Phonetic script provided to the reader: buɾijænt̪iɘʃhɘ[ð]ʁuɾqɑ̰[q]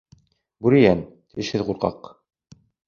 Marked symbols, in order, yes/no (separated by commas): yes, yes